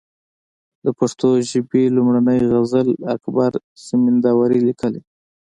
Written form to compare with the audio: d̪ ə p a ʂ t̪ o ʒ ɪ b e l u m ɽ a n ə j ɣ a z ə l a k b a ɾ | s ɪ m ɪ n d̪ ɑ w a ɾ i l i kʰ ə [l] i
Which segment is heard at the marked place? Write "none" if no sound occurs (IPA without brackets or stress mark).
l